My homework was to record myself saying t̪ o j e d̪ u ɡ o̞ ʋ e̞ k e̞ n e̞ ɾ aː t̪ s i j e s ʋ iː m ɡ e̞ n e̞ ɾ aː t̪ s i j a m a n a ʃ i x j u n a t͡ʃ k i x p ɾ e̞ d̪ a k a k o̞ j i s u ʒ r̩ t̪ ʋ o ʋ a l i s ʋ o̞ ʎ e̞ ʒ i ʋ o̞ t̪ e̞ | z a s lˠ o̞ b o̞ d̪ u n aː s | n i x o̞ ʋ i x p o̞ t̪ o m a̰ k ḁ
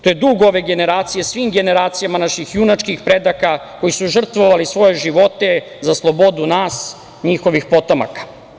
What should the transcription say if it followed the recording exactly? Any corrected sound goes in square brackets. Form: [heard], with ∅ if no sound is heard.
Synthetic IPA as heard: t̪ o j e d̪ u ɡ o̞ ʋ e̞ [ɡ] e̞ n e̞ ɾ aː t̪ s i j e s ʋ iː m ɡ e̞ n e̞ ɾ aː t̪ s i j a m a n a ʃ i x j u n a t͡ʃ k i x p ɾ e̞ d̪ a k a k o̞ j i s u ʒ r̩ t̪ ʋ o ʋ a l i s ʋ o̞ [j] e̞ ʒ i ʋ o̞ t̪ e̞ | z a s lˠ o̞ b o̞ d̪ u n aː s | [ɲ] i x o̞ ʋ i x p o̞ t̪ o m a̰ k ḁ